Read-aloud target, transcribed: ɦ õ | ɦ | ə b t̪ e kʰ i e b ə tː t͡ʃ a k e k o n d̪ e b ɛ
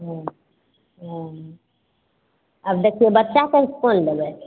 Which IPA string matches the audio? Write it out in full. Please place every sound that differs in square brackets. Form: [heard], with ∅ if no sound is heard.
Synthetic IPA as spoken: ɦ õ | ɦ | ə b [d̪] e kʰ i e b ə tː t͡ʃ a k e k o n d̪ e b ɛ